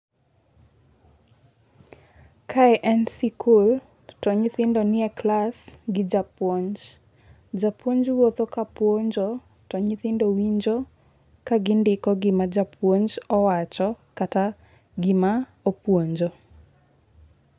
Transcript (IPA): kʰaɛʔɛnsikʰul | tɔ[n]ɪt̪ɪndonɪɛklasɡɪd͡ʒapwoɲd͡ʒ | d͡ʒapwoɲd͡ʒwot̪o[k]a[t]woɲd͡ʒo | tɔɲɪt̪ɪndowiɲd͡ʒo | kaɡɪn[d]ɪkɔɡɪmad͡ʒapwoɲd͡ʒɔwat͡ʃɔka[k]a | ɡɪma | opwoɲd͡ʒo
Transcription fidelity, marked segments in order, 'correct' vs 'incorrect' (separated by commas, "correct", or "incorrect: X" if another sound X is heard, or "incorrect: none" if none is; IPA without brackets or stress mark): incorrect: ɲ, correct, incorrect: p, correct, incorrect: t